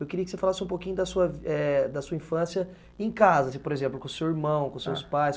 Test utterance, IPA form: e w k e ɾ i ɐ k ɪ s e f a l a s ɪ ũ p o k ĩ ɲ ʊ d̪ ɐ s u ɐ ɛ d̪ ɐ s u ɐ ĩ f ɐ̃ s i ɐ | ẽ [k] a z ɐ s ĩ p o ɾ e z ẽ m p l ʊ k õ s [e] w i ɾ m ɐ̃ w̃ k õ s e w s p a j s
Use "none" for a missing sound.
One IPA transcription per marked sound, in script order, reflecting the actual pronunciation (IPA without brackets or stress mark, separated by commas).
k, e